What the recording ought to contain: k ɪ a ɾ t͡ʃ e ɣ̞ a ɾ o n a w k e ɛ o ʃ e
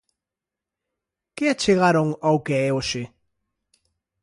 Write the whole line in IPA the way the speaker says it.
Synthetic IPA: k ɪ a t͡ʃ e ɣ̞ a ɾ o ŋ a w k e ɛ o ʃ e

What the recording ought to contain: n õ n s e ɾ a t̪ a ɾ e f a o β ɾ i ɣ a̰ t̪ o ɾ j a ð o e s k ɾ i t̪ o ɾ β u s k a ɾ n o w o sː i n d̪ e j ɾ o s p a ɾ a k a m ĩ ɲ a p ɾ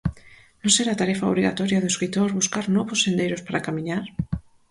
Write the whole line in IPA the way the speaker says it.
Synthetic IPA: n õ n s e ɾ a t̪ a ɾ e f a o β ɾ i ɣ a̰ t̪ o ɾ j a ð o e s k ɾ i t̪ o ɾ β u s k a ɾ n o β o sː e n d̪ e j ɾ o s p a ɾ a k a m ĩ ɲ a ɾ

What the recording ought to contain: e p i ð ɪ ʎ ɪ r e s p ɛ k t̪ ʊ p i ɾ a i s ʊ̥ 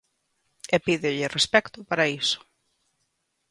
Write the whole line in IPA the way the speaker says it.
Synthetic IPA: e p i ð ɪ ʎ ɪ r e s p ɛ k t̪ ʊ p a ɾ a i s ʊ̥

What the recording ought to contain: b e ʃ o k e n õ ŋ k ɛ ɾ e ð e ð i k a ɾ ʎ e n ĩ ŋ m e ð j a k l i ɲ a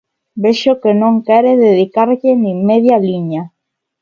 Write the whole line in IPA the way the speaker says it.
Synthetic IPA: b e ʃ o k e n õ ŋ k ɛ ɾ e ð e ð i k a ɾ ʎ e n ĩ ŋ m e ð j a l i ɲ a

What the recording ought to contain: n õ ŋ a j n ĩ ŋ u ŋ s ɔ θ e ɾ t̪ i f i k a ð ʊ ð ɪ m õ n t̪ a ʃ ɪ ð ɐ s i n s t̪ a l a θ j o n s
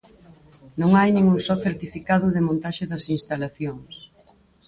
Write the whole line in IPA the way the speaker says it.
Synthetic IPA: n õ ŋ a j n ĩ ŋ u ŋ s ɔ θ e ɾ t̪ i f i k a ð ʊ ð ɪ m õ n t̪ a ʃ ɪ ð ɐ s i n s t̪ a l a θ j o ŋ s

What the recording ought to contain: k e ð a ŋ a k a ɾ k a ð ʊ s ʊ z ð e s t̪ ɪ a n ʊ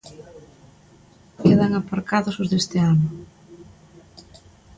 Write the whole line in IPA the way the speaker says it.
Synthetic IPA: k e ð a ŋ a p a ɾ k a ð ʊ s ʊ z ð e s t̪ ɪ a n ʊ

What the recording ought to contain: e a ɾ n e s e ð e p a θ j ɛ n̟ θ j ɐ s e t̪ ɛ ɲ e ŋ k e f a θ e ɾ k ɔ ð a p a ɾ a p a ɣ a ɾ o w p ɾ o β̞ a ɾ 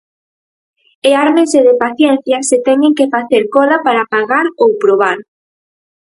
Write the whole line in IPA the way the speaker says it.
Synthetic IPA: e a ɾ m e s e ð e p a θ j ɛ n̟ θ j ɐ s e t̪ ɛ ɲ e ŋ k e f a θ e ɾ k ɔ ð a p a ɾ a p a ɣ a ɾ o w p ɾ o β̞ a ɾ

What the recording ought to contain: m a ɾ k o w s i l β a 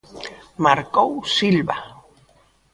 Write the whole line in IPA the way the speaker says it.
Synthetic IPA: m a ɾ k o w s i l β a

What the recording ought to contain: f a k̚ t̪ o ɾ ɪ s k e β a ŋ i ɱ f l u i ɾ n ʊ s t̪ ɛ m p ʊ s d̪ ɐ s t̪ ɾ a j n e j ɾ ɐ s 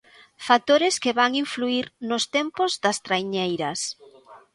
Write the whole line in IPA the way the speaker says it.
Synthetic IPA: f a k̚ t̪ o ɾ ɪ s k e β a ŋ i ɱ f l u i ɾ n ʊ s t̪ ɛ m p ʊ z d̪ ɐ s t̪ ɾ a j ɲ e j ɾ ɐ s

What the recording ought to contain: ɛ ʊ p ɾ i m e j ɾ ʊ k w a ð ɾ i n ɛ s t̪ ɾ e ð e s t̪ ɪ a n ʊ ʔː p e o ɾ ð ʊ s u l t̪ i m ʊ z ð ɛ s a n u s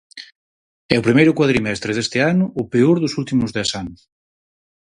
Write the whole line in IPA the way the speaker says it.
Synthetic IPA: ɛ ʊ p ɾ i m e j ɾ ʊ k w a ð ɾ i m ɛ s t̪ ɾ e ð e s t̪ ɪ a n ʊ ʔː p e o ɾ ð ʊ s u l t̪ i m ʊ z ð ɛ s a n ʊ s

